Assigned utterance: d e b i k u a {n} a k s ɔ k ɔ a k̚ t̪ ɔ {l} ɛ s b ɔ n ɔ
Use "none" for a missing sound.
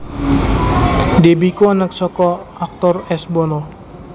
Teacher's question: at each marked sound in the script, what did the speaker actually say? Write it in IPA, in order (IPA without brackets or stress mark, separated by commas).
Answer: n, r